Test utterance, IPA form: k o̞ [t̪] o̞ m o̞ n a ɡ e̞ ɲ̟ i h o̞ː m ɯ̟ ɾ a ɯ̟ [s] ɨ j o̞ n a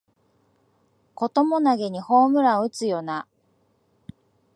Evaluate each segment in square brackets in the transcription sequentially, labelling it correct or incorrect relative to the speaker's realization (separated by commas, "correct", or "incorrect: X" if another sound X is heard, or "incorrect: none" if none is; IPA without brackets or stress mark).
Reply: correct, incorrect: t͡s